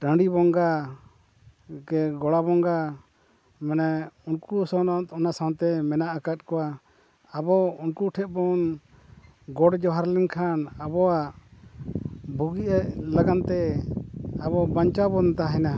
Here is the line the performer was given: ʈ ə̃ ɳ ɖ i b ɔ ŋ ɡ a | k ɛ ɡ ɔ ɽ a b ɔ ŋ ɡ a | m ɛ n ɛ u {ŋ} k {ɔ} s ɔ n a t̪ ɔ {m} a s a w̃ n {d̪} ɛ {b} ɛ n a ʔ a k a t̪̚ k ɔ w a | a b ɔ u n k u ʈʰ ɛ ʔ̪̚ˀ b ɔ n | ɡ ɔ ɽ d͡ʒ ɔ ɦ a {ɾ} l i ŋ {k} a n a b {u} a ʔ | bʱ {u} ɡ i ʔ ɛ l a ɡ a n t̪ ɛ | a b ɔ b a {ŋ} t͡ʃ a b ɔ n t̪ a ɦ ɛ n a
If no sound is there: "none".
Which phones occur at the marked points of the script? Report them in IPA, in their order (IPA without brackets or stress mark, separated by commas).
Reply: n, u, n, t̪, m, ɾ, kʰ, ɔ, u, ɲ